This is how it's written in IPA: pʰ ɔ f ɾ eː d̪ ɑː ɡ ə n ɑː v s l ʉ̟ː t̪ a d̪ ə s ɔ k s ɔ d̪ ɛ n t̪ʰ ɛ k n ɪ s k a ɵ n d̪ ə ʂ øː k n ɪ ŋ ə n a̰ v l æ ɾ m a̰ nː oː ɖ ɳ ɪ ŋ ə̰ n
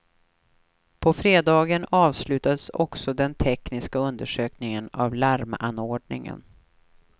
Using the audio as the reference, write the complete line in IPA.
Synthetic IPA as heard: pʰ ɔ f ɾ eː d̪ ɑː ɡ ə n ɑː v s l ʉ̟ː t̪ a d̪ ə s ɔ k s ɔ d̪ ɛ n t̪ʰ ɛ k n ɪ s k a ɵ n d̪ ə ʂ øː k n ɪ ŋ ə n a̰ v l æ ɾ m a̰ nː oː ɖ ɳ ɪ ŋ ə̰ n